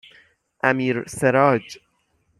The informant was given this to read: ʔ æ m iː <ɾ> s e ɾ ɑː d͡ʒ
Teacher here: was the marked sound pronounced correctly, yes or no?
yes